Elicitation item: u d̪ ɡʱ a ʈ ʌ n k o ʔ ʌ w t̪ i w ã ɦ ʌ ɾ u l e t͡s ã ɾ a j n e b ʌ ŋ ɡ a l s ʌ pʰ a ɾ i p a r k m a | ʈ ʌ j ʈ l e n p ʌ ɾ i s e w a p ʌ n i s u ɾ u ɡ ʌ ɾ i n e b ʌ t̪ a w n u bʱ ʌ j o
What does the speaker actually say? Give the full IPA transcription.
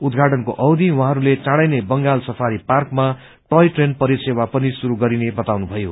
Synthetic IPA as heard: u d̪ ɡʱ a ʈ ʌ n k o ʔ ʌ w d̪ i w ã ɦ ʌ ɾ u l e t͡s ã ɽ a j n e b ʌ ŋ ɡ a l s ʌ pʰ a ɾ i p a r k m a | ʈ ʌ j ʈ r e n p ʌ ɾ i s e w a p ʌ n i s u ɾ u ɡ ʌ ɾ i n e b ʌ t̪ a w n u bʱ ʌ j o